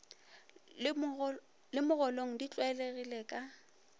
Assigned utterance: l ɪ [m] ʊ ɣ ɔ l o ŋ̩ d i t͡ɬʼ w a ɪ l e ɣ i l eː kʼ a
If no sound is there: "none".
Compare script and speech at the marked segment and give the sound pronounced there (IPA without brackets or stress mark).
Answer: m